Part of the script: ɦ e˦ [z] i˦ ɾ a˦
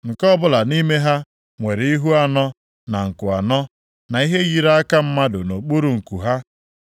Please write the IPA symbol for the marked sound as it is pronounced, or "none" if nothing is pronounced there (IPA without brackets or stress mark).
ɣ